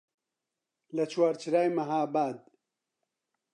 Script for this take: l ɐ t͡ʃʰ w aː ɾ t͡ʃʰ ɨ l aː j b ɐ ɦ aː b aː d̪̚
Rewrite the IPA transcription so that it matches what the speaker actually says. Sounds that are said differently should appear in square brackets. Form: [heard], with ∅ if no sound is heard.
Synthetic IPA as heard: l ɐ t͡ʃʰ w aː ɾ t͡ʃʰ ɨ [ɾ] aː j [m] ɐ ɦ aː b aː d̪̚